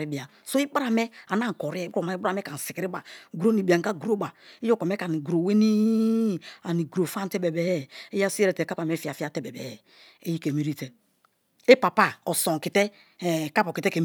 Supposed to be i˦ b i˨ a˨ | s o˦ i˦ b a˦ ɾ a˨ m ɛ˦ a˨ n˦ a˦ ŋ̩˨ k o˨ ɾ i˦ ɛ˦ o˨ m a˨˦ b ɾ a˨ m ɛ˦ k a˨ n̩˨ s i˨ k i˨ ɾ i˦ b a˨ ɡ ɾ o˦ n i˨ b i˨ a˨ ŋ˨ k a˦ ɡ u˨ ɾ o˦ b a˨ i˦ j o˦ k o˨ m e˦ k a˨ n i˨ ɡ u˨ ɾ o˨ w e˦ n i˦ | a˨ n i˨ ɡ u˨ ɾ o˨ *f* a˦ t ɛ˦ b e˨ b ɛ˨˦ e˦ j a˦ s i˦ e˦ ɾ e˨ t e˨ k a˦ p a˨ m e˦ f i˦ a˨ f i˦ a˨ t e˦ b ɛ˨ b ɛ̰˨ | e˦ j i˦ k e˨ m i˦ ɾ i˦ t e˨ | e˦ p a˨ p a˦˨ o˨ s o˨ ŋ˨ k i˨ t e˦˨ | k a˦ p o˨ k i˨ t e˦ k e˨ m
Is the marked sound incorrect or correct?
correct